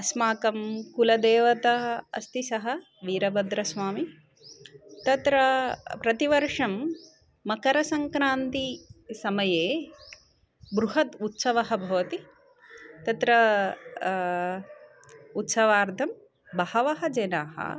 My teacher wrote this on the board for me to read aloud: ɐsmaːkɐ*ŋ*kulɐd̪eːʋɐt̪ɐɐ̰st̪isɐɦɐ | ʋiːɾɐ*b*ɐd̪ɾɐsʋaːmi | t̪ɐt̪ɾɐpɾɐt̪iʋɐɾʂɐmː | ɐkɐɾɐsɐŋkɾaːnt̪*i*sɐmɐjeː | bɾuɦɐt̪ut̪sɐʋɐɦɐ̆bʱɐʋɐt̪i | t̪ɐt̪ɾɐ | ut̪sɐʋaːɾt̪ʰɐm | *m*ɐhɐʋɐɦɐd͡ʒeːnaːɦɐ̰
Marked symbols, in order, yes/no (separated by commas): no, yes, yes, no